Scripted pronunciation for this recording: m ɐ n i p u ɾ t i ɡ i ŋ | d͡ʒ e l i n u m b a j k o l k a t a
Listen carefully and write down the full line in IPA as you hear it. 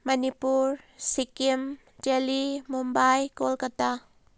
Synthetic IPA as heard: m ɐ n i p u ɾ s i k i m | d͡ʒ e l i m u m b a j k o l k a t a